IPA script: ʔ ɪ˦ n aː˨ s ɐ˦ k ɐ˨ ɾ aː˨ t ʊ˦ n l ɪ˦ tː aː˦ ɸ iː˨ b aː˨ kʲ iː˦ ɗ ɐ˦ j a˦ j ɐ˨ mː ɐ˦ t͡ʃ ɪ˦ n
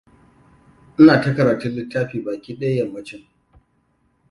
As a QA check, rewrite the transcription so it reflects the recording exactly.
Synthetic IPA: ʔ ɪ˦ n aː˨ t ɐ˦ k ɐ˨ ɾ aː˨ t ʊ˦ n l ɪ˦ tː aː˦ ɸ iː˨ b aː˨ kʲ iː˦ ɗ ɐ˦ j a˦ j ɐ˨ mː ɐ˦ t͡ʃ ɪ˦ ŋ